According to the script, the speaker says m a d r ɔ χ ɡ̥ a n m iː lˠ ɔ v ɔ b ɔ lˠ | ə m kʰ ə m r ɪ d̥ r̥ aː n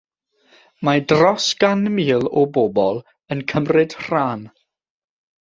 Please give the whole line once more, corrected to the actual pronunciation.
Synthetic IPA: m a d r ɔ s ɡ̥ a n m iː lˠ ɔ b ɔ b ɔ lˠ | ə n kʰ ə m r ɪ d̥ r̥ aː n